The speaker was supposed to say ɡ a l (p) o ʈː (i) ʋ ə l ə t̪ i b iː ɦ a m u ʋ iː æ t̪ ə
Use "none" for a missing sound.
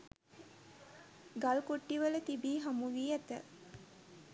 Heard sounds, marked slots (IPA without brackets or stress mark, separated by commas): k, i